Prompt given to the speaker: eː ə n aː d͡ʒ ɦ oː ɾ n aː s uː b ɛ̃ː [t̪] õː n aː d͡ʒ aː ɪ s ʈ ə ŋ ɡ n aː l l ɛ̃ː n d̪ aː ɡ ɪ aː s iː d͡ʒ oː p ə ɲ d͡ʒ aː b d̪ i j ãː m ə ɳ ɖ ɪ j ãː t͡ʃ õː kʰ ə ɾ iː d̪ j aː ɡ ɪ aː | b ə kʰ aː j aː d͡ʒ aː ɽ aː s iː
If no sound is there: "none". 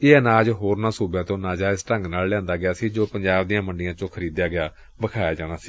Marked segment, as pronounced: t̪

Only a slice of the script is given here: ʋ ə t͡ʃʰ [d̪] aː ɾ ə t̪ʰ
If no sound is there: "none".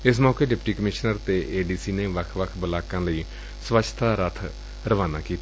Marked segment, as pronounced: t̪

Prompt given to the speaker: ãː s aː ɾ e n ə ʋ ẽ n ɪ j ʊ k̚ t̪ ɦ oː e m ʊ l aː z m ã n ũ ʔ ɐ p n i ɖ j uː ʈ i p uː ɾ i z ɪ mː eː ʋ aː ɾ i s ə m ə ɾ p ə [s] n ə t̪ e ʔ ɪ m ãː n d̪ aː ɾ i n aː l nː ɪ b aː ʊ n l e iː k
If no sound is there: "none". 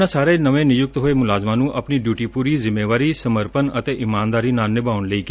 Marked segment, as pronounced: none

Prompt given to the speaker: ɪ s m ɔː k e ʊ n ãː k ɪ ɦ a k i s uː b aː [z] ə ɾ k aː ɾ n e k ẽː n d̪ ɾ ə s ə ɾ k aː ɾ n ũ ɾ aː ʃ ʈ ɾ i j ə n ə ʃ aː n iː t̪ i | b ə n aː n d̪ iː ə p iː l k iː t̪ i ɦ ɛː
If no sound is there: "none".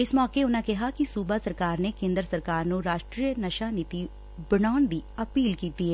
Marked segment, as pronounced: s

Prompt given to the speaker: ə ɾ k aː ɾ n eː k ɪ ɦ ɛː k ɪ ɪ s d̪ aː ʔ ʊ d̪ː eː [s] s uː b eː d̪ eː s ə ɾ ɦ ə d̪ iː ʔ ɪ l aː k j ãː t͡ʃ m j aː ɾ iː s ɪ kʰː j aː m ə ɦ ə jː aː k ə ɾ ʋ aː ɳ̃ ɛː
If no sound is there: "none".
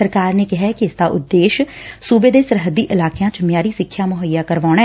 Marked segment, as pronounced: ʃ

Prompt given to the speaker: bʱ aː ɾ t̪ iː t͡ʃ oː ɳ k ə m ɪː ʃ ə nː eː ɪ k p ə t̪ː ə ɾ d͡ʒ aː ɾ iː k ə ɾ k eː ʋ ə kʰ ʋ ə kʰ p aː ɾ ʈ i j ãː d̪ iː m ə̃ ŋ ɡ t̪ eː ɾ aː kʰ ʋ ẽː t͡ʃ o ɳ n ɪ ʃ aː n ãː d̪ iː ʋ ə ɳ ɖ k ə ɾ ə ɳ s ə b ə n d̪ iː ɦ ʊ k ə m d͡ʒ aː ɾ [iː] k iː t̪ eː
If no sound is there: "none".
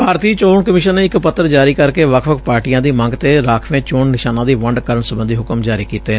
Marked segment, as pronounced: iː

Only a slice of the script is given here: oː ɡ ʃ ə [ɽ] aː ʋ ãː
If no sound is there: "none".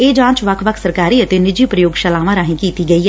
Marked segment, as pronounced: l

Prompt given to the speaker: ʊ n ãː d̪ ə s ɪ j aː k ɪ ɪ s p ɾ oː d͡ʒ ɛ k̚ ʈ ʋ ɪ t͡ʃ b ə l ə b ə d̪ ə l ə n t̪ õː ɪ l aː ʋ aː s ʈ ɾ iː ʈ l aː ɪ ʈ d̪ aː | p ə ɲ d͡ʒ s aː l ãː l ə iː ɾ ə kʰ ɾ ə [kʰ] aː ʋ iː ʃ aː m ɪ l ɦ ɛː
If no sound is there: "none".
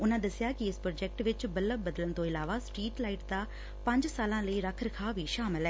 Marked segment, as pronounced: kʰ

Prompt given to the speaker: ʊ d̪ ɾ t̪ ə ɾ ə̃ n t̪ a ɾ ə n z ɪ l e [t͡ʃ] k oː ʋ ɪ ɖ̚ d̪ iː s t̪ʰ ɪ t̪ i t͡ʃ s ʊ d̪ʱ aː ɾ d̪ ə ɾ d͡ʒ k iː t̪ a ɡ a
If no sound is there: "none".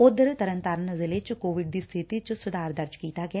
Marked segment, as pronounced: t͡ʃ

